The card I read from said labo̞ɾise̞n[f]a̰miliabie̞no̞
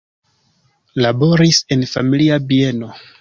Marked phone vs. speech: correct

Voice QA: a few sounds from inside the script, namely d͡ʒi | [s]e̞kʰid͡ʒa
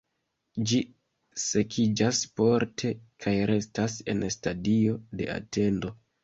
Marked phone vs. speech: correct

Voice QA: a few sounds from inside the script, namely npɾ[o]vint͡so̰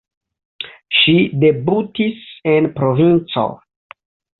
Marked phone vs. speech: correct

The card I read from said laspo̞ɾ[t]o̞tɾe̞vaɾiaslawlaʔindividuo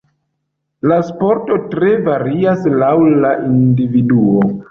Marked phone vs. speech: correct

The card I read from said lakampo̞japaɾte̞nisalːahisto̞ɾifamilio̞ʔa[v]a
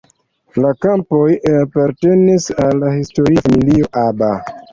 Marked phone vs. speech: incorrect: b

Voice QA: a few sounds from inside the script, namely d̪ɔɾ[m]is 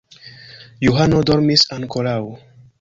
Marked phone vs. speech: correct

